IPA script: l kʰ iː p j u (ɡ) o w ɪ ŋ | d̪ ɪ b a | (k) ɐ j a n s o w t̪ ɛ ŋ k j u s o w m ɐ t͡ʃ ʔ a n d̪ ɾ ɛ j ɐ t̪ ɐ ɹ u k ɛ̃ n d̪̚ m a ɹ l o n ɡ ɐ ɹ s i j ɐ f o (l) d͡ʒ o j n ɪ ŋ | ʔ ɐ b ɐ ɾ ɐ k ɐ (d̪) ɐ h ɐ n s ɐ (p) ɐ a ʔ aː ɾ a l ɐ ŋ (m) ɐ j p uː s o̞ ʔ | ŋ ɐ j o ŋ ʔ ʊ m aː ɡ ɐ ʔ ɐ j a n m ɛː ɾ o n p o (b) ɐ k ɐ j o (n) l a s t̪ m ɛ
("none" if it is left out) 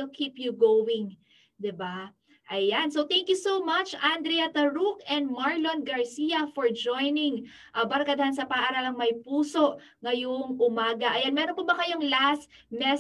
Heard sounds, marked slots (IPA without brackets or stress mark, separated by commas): ɡ, ʔ, ɹ, d̪, p, m, b, ŋ